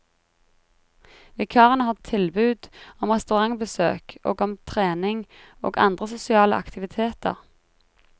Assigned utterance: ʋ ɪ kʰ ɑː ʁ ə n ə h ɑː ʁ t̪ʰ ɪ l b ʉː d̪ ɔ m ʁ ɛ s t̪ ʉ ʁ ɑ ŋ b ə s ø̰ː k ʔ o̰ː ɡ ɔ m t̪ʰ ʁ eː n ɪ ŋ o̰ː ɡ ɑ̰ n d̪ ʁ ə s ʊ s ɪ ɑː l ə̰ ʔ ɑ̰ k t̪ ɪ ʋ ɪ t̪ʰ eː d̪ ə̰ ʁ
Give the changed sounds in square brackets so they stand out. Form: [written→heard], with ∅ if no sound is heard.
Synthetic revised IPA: ʋ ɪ kʰ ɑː ʁ ə n ə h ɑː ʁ t̪ʰ ɪ l b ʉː d̪ ɔ m ʁ ɛ s t̪ ʉ ʁ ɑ ŋ b ə s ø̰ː k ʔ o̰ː ɡ ɔ m t̪ʰ ʁ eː n ɪ ŋ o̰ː ɡ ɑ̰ n d̪ ʁ ə s ʊ s ɪ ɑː l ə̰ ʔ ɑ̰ k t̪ ɪ ʋ ɪ t̪ʰ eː [d̪→t̪] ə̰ ʁ